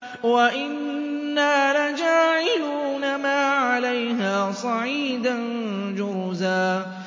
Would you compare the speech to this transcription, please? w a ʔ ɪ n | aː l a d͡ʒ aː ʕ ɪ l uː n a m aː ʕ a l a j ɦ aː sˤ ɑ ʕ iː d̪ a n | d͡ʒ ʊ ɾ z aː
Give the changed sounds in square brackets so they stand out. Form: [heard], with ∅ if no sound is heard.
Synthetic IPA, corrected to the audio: w a ʔ ɪ [nː] | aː l a d͡ʒ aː ʕ ɪ l uː n a m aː ʕ a l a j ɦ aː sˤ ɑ ʕ iː d̪ a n | d͡ʒ ʊ ɾ z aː